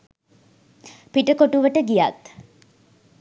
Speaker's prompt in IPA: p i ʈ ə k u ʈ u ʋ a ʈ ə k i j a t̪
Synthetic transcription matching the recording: p i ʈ ə k o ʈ u ʋ ə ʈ ə ɡ i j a t̪